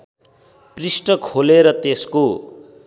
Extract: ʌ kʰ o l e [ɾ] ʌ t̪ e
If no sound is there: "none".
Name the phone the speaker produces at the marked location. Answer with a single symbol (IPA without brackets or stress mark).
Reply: ɾ